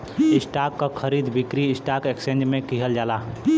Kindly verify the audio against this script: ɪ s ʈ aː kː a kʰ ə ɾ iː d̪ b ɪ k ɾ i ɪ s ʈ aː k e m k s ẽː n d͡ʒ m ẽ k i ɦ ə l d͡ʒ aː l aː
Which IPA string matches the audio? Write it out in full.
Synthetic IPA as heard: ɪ s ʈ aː kː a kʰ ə ɾ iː d̪ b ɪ k ɾ i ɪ s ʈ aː k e k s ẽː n d͡ʒ m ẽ k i ɦ ə l d͡ʒ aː l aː